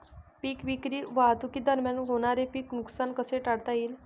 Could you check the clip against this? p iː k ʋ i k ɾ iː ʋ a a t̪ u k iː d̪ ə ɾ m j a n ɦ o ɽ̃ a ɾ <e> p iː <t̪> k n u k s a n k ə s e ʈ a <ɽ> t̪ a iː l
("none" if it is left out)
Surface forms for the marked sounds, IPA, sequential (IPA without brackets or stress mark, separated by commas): e, none, ɽ